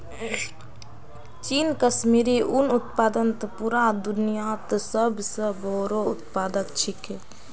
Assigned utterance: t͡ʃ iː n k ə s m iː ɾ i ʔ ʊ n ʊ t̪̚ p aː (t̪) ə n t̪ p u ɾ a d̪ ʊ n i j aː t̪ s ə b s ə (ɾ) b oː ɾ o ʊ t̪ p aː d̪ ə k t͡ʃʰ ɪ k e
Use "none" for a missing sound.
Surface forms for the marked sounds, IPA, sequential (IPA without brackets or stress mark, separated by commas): d̪, none